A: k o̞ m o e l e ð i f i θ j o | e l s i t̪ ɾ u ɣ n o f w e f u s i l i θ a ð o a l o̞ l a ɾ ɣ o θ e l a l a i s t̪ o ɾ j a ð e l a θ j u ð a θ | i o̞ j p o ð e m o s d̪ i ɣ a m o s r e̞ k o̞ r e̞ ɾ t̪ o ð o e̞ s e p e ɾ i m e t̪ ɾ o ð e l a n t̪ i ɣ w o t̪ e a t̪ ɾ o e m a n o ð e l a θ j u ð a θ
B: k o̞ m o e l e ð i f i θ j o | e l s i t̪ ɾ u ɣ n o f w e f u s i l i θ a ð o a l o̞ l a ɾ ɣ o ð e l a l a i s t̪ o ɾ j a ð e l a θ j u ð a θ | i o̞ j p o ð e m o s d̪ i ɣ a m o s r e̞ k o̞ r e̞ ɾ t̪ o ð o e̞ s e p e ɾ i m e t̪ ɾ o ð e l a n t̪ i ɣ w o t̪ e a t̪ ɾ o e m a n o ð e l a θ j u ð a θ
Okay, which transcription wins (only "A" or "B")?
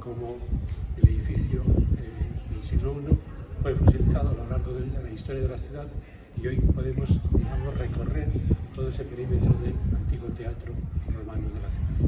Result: B